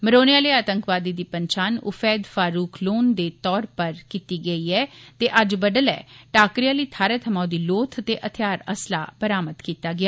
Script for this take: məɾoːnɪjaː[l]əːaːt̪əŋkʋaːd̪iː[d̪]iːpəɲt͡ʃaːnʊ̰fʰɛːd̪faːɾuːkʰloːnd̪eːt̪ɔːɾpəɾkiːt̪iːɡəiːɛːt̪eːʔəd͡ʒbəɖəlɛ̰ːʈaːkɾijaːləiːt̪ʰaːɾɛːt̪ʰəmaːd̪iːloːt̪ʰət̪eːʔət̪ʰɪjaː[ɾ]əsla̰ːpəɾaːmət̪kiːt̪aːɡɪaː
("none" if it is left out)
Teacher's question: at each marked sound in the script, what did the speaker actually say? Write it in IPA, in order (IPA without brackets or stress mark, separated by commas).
l, d̪, ɾ